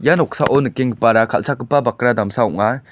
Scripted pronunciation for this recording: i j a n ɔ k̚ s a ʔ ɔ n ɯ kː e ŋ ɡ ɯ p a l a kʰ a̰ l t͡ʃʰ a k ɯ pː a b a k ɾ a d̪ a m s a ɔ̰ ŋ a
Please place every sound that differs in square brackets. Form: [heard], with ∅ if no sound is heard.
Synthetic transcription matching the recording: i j a n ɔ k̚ s a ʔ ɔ n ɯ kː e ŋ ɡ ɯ p a [ɾ] a kʰ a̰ l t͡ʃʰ a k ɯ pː a b a k ɾ a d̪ a m s a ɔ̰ ŋ a